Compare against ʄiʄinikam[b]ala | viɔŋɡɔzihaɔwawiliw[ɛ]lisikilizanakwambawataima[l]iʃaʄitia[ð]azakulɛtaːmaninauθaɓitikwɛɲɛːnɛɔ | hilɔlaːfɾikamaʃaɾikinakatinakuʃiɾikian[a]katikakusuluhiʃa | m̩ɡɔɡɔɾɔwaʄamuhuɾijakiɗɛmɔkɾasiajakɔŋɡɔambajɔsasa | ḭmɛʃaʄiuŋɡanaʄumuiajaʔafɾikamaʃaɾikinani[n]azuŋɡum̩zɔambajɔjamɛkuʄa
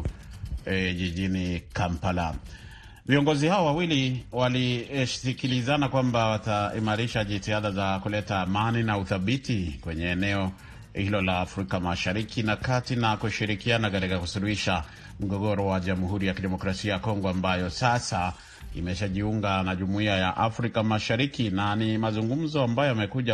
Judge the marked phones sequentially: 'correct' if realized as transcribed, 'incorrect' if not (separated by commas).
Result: incorrect, incorrect, incorrect, correct, correct, incorrect